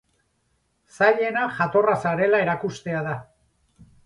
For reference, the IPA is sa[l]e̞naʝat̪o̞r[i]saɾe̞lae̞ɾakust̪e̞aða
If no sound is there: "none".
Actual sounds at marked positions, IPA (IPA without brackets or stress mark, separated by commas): ʎ, a